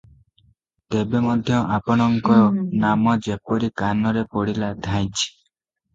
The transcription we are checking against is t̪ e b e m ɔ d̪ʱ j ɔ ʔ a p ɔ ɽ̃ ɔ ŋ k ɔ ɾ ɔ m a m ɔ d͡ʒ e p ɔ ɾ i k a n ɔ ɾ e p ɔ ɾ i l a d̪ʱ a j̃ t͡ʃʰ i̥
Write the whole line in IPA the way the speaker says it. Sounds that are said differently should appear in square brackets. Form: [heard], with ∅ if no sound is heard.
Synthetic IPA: t̪ e b e m ɔ d̪ʱ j ɔ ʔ a p ɔ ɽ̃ ɔ ŋ k ɔ ɾ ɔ [n] a m ɔ d͡ʒ e p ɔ ɾ i k a n ɔ ɾ e p ɔ [ɽ] i l a d̪ʱ a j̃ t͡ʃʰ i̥